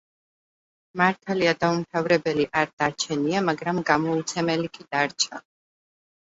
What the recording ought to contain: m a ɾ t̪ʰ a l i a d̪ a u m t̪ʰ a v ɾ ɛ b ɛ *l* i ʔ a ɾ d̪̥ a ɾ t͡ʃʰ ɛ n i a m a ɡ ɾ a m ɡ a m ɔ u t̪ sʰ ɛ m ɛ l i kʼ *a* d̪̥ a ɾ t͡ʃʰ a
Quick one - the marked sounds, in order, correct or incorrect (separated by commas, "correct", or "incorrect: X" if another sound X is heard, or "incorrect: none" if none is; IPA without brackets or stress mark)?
correct, incorrect: i